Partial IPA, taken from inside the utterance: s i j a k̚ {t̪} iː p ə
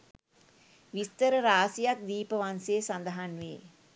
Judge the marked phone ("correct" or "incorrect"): incorrect